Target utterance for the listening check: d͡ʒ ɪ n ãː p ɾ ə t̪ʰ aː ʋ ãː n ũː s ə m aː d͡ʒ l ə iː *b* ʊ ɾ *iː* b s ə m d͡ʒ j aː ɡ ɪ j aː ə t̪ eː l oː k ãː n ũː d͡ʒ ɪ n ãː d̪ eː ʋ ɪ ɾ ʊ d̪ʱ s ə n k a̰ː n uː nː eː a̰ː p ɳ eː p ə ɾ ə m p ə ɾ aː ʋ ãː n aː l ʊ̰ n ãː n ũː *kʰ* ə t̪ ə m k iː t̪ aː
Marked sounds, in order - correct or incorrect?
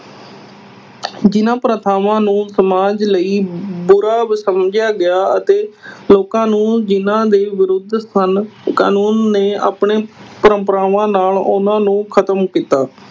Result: correct, incorrect: aː, correct

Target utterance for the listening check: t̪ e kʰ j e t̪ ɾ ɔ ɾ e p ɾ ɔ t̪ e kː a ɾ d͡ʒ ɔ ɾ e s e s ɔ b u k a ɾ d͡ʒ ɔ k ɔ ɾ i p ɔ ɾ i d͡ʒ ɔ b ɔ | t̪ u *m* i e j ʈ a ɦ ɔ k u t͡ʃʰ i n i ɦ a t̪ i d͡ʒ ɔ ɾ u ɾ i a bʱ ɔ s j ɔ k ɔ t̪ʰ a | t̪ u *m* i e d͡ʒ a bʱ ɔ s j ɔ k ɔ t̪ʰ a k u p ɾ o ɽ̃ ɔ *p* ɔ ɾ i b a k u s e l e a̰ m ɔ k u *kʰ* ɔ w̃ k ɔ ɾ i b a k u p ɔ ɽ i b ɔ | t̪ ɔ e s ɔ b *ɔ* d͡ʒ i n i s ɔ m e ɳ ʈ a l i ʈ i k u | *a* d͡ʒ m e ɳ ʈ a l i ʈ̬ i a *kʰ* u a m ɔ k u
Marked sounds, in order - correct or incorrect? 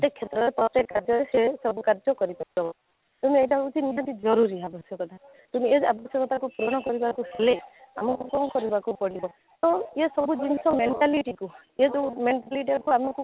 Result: correct, correct, incorrect: k, incorrect: k, incorrect: u, incorrect: e, incorrect: k

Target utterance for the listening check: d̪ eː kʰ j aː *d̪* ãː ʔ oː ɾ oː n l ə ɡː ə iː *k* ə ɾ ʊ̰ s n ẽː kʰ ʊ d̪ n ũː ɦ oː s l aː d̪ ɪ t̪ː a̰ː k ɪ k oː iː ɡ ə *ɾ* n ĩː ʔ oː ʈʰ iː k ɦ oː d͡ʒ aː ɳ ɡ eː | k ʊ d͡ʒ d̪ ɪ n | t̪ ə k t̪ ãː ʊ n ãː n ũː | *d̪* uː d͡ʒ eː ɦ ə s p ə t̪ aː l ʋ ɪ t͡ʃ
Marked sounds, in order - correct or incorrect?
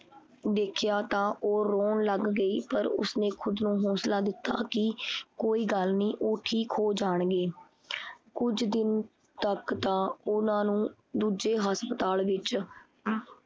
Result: incorrect: t̪, incorrect: p, incorrect: l, correct

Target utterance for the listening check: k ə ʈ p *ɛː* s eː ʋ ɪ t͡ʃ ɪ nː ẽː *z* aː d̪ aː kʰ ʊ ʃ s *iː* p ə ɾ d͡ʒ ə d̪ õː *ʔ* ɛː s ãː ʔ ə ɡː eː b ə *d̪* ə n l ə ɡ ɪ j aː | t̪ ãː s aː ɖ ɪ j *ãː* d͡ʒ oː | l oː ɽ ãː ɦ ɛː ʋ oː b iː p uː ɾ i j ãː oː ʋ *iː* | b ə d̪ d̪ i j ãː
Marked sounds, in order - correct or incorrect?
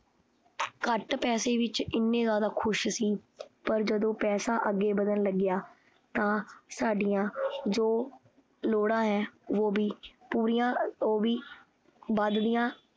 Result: correct, correct, correct, incorrect: p, correct, correct, correct

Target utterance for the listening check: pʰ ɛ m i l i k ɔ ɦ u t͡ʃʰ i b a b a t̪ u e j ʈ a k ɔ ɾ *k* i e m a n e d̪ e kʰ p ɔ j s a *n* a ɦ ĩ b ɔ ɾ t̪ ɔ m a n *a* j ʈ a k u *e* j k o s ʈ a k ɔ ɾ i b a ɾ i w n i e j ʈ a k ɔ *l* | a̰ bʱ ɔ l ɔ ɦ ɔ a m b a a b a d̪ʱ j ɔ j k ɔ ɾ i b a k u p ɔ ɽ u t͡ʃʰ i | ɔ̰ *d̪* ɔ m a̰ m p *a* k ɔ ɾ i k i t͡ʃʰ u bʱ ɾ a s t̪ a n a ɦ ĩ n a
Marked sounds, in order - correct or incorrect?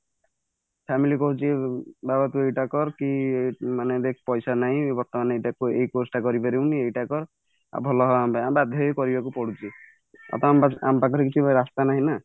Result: correct, correct, incorrect: e, correct, incorrect: ɾ, incorrect: t̪, correct

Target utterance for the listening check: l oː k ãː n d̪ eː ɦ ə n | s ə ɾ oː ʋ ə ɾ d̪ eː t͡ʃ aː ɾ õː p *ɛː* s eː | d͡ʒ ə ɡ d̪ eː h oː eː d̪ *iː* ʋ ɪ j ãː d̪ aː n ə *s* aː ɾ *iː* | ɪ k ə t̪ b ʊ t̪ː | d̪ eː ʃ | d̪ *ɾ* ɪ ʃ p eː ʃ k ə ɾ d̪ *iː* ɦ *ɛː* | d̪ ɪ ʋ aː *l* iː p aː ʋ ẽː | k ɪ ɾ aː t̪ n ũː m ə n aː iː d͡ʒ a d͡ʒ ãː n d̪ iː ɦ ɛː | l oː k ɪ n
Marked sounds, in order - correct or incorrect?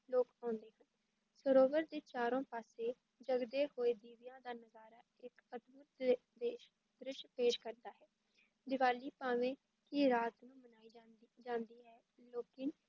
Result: incorrect: aː, correct, incorrect: z, incorrect: aː, correct, incorrect: aː, correct, correct

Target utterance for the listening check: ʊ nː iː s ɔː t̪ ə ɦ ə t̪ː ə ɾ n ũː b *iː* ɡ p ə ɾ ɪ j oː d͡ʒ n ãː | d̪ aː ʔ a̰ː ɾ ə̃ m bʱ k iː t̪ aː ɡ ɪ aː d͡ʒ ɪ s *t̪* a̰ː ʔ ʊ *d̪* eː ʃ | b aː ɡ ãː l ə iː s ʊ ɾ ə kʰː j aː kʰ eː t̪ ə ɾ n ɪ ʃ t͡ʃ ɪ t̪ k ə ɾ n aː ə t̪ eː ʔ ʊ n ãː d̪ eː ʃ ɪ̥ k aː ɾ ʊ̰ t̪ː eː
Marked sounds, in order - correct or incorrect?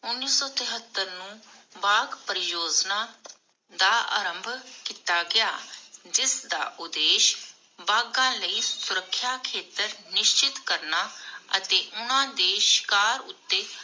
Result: incorrect: aː, incorrect: d̪, correct

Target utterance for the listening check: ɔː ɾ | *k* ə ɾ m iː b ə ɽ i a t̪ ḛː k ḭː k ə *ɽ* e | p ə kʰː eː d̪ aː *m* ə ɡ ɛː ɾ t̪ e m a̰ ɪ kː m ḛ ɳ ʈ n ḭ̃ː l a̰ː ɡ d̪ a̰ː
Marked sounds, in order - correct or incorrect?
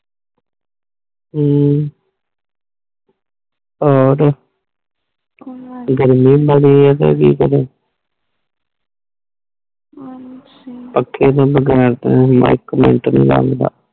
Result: incorrect: ɡ, incorrect: ɾ, incorrect: b

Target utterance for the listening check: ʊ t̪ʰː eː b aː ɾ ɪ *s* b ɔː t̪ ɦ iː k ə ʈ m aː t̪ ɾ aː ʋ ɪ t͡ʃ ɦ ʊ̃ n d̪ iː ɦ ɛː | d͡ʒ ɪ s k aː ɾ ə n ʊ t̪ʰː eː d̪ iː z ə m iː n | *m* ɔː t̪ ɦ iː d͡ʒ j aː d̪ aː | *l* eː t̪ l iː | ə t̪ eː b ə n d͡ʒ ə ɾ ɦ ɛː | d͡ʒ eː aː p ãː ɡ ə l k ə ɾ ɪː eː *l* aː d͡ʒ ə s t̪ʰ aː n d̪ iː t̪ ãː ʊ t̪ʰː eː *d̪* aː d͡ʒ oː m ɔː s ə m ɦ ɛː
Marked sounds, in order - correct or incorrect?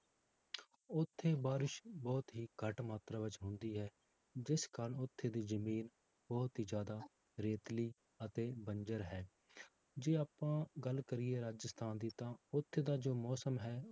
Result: incorrect: ʃ, incorrect: b, incorrect: ɾ, incorrect: ɾ, correct

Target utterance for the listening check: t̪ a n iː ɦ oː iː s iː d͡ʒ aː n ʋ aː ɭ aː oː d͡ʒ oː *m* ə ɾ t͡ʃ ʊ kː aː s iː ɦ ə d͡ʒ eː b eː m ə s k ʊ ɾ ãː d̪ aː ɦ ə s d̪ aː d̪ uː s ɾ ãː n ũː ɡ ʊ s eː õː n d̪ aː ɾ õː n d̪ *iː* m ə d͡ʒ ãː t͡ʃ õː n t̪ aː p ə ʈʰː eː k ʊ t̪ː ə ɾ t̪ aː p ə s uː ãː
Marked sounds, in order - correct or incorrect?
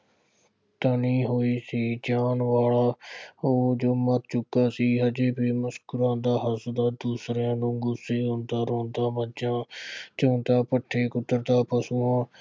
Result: correct, incorrect: aː

